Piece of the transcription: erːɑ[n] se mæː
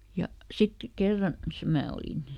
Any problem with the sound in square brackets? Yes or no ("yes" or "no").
no